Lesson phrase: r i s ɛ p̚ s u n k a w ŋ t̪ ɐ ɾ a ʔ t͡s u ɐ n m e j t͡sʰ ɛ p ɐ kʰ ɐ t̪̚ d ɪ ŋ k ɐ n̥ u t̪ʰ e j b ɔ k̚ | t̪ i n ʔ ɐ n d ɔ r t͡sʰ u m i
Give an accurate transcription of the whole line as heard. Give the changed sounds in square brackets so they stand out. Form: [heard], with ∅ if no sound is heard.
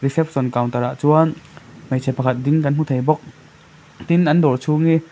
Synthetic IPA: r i s ɛ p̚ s [ɔ] n k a w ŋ t̪ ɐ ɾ a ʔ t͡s u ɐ n m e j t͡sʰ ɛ p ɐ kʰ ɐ t̪̚ d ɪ ŋ k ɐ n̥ u t̪ʰ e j b ɔ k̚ | t̪ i n ʔ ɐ n d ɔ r t͡sʰ u [ŋ] i